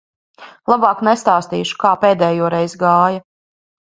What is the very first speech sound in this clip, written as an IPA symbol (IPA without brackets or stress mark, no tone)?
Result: lˠ